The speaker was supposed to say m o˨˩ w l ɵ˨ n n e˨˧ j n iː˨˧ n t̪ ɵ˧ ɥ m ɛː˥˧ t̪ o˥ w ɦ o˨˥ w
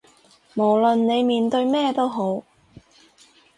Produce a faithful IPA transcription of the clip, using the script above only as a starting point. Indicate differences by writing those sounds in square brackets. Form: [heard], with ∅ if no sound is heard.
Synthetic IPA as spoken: m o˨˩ w l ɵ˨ n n e˨˧ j [m] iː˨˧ n t̪ ɵ˧ ɥ m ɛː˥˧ t̪ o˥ w ɦ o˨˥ w